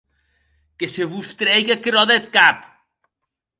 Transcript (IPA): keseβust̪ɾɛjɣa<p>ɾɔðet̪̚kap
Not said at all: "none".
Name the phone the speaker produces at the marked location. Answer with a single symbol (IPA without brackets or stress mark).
k